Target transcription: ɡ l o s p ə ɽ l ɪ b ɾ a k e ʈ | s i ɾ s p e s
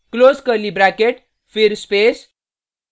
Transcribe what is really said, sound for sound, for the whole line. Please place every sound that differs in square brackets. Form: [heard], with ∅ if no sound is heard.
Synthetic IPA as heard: [k] l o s [k] ə [ɾ] l [i] b ɾ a k e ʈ | [f] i ɾ s p e s